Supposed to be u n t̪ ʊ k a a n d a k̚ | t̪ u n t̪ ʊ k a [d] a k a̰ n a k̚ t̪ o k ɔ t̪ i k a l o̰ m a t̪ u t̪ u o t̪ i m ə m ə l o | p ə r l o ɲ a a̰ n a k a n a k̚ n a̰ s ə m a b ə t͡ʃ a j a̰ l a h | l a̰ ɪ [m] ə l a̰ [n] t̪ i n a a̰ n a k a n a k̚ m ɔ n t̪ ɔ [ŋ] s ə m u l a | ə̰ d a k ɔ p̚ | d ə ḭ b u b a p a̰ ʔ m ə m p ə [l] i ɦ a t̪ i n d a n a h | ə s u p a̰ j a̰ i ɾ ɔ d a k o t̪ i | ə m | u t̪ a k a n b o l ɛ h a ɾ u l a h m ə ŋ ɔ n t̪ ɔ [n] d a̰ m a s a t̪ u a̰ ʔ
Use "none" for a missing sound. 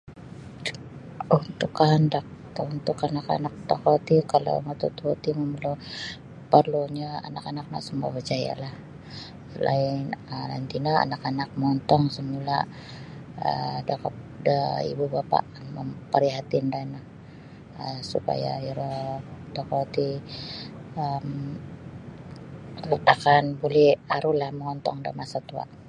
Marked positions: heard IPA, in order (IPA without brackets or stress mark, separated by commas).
n, n, n, ŋ, ɾ, ŋ